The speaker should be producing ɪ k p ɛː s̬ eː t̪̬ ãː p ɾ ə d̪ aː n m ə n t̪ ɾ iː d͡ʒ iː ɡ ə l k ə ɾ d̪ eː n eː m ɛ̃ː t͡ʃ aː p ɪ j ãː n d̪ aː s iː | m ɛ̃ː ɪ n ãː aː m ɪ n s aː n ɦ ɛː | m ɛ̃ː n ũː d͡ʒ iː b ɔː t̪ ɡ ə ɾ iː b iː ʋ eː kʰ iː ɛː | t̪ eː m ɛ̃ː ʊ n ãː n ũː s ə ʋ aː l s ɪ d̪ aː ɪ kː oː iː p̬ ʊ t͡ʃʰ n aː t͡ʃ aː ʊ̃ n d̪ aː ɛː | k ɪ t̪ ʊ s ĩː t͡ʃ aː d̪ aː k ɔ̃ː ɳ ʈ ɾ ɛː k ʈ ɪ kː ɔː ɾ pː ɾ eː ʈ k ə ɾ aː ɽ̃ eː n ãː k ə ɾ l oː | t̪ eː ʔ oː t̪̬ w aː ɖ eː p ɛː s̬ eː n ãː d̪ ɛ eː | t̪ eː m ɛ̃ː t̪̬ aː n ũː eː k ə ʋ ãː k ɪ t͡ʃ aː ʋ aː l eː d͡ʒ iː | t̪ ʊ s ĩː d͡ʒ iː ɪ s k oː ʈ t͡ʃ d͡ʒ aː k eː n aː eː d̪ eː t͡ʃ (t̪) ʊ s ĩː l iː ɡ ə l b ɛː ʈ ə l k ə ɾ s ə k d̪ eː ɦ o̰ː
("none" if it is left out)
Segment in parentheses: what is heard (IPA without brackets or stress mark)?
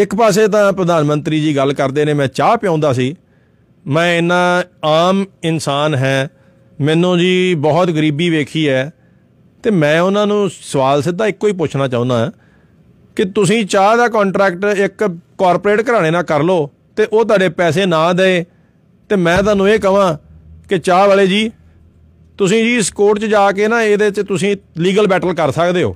t̪